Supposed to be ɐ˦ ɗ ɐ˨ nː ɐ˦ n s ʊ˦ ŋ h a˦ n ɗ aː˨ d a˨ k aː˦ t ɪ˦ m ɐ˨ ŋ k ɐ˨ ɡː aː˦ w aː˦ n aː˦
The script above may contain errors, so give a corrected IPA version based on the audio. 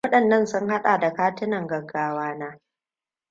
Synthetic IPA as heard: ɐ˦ ɗ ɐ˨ nː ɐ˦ n s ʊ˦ ŋ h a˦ ɗ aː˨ d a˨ k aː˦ t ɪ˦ n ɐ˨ ŋ ɡ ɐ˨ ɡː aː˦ w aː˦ n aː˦